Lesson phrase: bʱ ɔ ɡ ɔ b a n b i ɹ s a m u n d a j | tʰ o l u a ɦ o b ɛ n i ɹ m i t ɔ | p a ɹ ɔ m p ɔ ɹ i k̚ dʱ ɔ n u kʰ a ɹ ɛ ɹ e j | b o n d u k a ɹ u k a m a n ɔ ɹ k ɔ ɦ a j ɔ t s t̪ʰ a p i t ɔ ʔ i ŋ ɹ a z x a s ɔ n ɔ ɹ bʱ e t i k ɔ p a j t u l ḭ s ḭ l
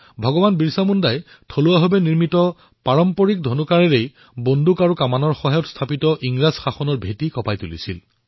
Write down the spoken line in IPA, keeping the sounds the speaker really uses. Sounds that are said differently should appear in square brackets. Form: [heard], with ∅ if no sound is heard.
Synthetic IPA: bʱ ɔ ɡ ɔ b a n b i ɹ s a m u n d a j | tʰ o l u a ɦ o b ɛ n i ɹ m i t ɔ | p a ɹ ɔ m p ɔ ɹ i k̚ dʱ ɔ n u [k] a ɹ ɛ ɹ e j | b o n d u k a ɹ u k a m a n ɔ ɹ [x] ɔ ɦ a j ɔ t s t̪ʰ a p i t ɔ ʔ i ŋ ɹ a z x a [x] ɔ n ɔ ɹ bʱ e t i k ɔ p a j t u l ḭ s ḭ l